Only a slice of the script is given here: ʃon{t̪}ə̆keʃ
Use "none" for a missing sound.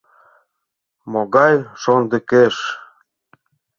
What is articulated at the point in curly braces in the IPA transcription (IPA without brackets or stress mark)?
d̪